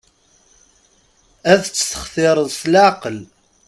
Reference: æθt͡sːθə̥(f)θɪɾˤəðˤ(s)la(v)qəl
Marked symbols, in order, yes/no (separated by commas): no, yes, no